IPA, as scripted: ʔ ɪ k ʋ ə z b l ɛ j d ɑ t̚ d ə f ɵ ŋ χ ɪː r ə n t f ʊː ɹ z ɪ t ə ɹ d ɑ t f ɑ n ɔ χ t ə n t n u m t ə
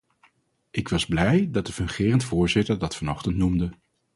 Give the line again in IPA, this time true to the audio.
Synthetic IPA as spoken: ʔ ɪ k ʋ ɑ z b l ɛ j d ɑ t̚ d ə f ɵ ŋ χ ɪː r ə n t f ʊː ɹ z ɪ t ə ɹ d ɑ t f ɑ n ɔ χ t ə n t n u m d ə